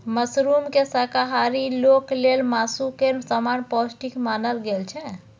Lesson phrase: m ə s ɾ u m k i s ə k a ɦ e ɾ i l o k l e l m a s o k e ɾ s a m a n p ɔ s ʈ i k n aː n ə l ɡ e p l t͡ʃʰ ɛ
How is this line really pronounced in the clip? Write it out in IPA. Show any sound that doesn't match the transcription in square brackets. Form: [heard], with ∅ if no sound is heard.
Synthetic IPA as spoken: m ə s ɾ u m k [e] s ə k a ɦ [a] ɾ i l o k l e l m a s [u] k e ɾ s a m a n p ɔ s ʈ i k [m] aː n ə l ɡ e [∅] l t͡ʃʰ ɛ